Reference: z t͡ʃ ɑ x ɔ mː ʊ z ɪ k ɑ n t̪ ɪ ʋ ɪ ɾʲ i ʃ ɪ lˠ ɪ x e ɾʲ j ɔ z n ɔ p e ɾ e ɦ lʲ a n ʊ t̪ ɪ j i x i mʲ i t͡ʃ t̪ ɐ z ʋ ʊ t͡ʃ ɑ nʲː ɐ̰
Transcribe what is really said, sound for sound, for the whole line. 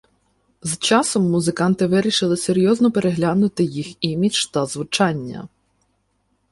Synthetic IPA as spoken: z t͡ʃ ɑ s ɔ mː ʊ z ɪ k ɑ n t̪ ɪ ʋ ɪ ɾʲ i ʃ ɪ lˠ ɪ s e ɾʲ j ɔ z n ɔ p e ɾ e ɦ lʲ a n ʊ t̪ ɪ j i x i mʲ i t͡ʃ t̪ ɐ z ʋ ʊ t͡ʃ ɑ nʲː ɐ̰